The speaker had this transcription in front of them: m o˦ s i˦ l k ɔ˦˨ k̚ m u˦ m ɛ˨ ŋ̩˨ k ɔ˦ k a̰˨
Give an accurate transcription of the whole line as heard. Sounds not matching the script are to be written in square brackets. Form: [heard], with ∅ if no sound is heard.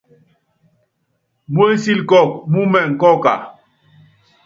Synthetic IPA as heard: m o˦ s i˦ l k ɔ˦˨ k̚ m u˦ m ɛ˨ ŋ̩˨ k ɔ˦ k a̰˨